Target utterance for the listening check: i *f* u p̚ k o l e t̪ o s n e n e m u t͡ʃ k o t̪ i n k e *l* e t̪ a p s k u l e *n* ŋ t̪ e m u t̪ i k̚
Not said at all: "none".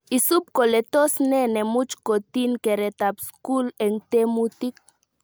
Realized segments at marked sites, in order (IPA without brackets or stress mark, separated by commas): s, ɾ, none